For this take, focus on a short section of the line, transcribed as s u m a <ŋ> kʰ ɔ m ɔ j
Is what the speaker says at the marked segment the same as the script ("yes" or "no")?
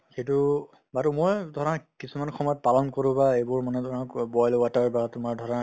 no